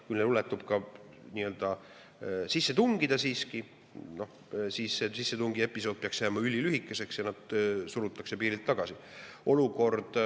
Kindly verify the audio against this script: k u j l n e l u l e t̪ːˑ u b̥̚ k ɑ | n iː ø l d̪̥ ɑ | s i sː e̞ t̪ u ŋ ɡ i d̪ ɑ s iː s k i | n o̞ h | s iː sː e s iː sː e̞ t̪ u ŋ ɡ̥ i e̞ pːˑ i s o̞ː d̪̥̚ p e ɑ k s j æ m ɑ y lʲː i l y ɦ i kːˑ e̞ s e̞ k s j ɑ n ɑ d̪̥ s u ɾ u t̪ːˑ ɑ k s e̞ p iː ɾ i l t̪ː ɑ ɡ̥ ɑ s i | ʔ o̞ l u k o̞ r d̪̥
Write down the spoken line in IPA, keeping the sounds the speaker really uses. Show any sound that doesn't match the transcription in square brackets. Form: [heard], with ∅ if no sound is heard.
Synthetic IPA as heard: k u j l n e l u l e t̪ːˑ u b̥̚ k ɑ | n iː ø l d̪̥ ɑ | s i sː e̞ t̪ u ŋ ɡ i d̪ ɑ s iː s k i | n o̞ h | s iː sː e s [i] sː e̞ t̪ u ŋ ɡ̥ i e̞ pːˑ i s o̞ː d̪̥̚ p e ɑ k s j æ m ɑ y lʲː i l y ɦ i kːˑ e̞ s e̞ k s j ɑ n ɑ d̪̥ s u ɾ u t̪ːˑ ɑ k s e̞ p iː ɾ i l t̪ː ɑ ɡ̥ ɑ s i | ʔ o̞ l u k o̞ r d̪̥